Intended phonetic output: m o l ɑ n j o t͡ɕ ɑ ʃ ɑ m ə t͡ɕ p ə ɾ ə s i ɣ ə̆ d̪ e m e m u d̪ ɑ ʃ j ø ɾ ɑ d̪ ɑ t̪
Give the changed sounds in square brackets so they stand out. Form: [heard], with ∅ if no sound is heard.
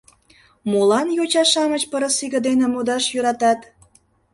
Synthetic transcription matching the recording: m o l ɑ n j o t͡ɕ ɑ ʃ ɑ m ə t͡ɕ p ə ɾ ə s i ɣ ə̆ d̪ e [n] e m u d̪ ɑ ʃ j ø ɾ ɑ [t̪] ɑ t̪